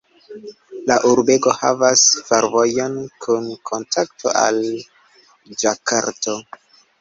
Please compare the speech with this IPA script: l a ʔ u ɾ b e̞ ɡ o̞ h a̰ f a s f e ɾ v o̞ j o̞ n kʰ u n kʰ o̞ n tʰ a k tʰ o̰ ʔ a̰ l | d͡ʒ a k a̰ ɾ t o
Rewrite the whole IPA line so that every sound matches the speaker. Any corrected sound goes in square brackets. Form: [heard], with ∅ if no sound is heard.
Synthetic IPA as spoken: l a ʔ u ɾ b e̞ ɡ o̞ h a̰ [v] a s f e ɾ v o̞ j o̞ n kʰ u n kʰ o̞ n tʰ a k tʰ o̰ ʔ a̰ l | d͡ʒ a k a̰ ɾ t o